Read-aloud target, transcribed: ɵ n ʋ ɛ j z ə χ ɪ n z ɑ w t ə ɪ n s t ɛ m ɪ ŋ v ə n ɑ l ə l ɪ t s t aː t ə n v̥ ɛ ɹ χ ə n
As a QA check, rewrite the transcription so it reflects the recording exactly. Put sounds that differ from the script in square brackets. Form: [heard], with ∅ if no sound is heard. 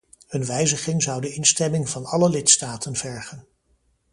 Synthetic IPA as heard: ɵ n ʋ ɛ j z ə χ ɪ [ŋ] z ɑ w [d] ə ɪ n s t ɛ m ɪ ŋ v [ɑ] n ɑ l ə l ɪ t s t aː t ə n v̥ ɛ ɹ χ ə n